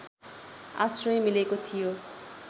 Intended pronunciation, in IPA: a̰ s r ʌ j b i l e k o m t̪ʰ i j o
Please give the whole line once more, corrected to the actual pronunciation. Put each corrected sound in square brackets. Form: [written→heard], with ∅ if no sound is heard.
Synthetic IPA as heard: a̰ s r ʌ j [b→m] i l e k o [m→∅] t̪ʰ i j o